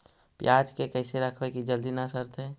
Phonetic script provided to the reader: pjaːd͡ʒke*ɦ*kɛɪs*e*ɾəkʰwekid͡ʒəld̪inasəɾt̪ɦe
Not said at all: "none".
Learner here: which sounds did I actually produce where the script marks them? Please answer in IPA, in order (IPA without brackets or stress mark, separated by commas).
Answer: none, e